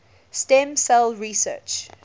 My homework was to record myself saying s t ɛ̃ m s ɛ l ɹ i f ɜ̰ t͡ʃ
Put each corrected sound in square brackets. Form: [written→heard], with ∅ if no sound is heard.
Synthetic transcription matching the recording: s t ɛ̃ m s ɛ l ɹ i [f→s] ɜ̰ t͡ʃ